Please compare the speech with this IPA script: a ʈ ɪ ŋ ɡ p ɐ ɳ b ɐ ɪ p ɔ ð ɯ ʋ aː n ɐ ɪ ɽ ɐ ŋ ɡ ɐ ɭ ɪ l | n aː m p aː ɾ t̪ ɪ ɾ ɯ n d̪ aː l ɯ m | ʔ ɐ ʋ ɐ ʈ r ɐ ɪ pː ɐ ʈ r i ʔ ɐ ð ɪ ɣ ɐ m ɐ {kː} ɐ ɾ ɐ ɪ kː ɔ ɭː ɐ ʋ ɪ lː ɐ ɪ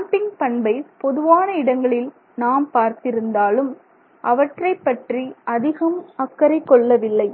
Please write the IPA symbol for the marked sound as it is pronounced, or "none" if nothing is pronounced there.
kː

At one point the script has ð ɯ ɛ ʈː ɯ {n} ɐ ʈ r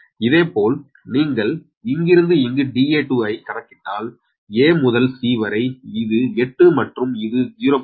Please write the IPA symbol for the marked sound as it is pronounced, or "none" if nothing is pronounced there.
m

